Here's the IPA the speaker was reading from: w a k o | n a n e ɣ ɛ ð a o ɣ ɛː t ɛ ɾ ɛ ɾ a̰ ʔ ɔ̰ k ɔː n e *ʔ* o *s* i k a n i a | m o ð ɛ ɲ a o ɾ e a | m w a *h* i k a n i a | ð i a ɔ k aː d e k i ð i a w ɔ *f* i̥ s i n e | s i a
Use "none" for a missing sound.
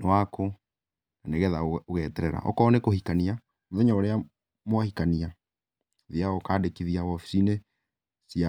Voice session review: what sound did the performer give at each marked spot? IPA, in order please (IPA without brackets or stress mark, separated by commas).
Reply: k, h, h, f